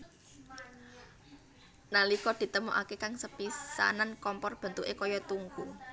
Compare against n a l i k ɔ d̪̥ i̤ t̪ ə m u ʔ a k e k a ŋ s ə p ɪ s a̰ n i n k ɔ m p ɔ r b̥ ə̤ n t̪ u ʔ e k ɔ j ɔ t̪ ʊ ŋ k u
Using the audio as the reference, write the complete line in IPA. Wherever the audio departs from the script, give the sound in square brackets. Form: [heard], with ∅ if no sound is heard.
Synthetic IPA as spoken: n a l i k ɔ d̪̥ i̤ t̪ ə m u ʔ a k e k a ŋ s ə p [i] s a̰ n [a] n k ɔ m p ɔ r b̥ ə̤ n t̪ u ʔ e k ɔ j ɔ t̪ [u] ŋ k u